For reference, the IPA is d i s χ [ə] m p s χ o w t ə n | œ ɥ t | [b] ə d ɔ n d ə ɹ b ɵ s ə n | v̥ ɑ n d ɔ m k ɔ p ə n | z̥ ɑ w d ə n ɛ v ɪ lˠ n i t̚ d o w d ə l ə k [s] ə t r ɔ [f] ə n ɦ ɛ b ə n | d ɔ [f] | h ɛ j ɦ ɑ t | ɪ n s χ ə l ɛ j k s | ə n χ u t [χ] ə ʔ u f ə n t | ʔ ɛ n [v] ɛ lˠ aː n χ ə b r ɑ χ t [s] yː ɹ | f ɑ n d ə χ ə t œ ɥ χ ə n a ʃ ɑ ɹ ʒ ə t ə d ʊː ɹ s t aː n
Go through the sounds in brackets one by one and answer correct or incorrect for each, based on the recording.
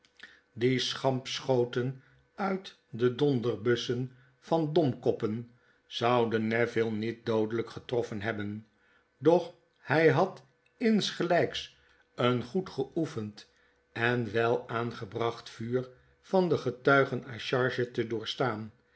incorrect: ɑ, incorrect: d, incorrect: χ, correct, incorrect: χ, correct, incorrect: ʋ, incorrect: f

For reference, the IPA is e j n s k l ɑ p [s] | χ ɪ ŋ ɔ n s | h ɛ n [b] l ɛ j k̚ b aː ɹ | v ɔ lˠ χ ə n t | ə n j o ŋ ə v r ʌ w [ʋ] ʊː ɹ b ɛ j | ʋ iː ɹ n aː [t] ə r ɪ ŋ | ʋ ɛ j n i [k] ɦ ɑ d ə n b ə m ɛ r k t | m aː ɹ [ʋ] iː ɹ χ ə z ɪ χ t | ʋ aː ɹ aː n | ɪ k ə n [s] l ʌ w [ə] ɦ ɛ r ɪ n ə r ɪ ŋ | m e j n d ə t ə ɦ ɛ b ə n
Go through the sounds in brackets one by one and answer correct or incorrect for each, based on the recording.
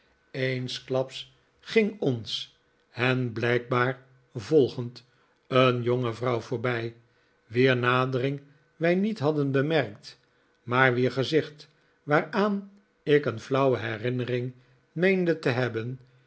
correct, correct, incorrect: v, incorrect: d, incorrect: t, correct, incorrect: f, correct

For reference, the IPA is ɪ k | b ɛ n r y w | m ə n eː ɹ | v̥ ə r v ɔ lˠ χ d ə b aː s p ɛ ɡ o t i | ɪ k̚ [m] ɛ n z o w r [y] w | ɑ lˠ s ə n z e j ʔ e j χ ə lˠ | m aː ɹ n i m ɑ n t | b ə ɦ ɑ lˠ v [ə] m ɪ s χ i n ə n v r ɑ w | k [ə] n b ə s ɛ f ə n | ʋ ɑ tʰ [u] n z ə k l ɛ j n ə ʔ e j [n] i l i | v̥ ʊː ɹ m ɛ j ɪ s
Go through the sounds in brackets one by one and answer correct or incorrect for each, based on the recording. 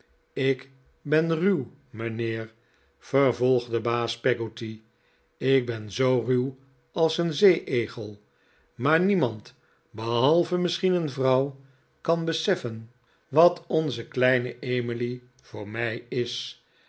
incorrect: b, correct, correct, incorrect: ɑ, incorrect: ɔ, incorrect: m

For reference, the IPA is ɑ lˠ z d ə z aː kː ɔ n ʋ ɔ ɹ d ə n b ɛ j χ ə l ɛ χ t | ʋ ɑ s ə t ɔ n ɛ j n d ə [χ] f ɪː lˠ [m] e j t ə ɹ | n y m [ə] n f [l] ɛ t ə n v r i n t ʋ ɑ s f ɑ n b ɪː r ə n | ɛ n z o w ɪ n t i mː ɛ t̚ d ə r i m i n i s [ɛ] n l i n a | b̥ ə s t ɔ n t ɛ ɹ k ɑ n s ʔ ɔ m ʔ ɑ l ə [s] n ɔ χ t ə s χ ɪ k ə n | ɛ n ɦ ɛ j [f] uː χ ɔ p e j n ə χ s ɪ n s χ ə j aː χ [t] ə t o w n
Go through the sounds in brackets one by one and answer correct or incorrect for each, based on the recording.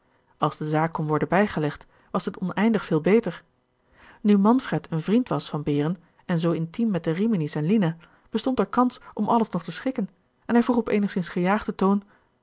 correct, incorrect: b, incorrect: ɑ, incorrect: r, correct, correct, incorrect: v, incorrect: d

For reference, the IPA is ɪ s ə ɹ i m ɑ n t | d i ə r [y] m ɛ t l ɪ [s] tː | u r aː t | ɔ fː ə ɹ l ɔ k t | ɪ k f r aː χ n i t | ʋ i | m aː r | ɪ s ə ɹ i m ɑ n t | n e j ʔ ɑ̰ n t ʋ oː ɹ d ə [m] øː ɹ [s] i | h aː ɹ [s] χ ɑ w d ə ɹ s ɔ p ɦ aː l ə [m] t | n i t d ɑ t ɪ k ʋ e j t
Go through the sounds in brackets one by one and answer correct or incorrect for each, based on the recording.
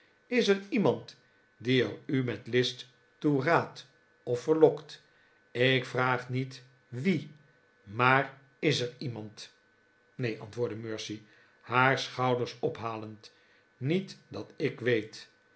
correct, correct, correct, correct, correct, incorrect: n

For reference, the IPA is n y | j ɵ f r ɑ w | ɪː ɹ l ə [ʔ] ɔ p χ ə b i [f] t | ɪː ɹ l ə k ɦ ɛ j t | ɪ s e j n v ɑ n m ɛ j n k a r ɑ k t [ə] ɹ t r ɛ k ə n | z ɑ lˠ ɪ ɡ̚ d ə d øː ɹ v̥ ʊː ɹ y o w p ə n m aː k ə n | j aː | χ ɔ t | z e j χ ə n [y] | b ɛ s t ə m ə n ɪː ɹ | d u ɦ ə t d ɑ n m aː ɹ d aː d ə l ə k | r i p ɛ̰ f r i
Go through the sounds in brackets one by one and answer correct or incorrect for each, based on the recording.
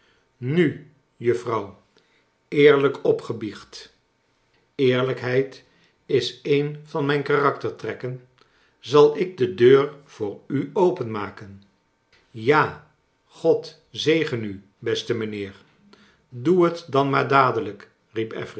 incorrect: k, incorrect: χ, correct, correct

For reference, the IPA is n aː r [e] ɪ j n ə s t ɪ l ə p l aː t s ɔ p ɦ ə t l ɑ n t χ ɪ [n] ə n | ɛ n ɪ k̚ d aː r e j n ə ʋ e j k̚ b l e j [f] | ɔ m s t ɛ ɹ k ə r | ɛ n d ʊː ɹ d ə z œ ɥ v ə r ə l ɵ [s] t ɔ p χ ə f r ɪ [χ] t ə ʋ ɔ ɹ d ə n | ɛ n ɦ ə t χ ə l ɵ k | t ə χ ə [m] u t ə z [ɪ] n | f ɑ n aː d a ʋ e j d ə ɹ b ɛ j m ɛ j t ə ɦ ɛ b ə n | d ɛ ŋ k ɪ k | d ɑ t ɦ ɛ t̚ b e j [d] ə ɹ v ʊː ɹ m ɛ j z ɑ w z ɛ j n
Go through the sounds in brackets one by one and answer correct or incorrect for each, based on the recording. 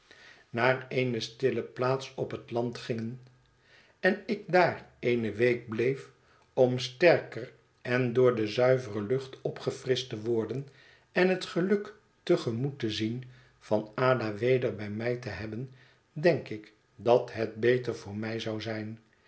correct, incorrect: ŋ, correct, incorrect: χ, incorrect: s, correct, incorrect: i, incorrect: t

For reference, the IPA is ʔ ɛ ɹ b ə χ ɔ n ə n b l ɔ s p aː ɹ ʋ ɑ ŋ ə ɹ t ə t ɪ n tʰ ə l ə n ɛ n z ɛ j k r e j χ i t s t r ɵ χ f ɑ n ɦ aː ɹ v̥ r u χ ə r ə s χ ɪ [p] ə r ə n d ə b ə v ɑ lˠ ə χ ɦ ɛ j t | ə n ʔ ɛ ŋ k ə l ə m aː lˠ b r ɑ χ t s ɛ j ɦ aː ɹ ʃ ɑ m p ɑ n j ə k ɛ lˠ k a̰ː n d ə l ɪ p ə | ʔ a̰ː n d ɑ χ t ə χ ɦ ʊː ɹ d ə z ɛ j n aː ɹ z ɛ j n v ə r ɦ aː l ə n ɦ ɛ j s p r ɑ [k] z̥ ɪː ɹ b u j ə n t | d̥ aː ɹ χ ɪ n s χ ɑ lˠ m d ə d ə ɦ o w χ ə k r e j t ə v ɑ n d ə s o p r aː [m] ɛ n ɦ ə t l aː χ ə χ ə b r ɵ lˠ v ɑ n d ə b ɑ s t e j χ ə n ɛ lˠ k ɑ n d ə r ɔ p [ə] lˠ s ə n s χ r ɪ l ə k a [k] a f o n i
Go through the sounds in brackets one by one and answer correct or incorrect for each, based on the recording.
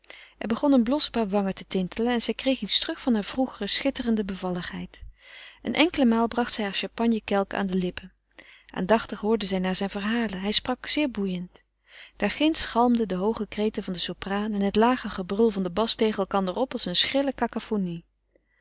incorrect: t, correct, incorrect: n, incorrect: ɑ, correct

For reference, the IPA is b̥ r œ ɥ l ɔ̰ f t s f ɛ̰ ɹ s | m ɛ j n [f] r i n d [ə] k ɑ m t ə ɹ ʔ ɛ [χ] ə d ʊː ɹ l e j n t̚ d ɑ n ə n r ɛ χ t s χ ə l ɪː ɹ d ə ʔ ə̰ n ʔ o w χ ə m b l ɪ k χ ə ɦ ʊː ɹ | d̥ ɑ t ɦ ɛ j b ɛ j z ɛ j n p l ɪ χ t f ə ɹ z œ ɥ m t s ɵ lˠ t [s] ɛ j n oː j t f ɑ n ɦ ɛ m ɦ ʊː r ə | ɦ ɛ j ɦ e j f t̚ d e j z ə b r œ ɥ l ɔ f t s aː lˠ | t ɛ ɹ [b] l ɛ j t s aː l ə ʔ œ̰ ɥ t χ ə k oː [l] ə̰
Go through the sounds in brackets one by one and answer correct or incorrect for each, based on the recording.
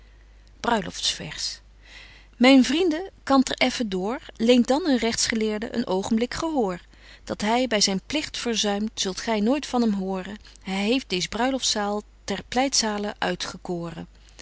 incorrect: v, correct, incorrect: f, incorrect: χ, incorrect: p, incorrect: r

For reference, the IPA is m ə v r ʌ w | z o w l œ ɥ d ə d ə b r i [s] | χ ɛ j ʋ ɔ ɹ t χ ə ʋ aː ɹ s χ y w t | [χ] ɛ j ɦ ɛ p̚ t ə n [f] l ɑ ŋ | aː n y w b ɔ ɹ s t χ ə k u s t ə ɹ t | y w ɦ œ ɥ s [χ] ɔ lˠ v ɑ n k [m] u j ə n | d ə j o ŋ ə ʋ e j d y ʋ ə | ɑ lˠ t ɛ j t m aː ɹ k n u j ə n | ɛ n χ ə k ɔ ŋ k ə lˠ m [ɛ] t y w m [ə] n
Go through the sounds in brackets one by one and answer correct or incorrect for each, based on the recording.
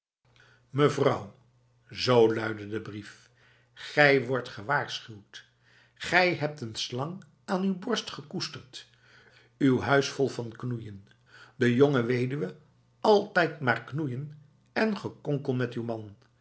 incorrect: f, correct, incorrect: s, incorrect: f, incorrect: n, correct, incorrect: ɑ

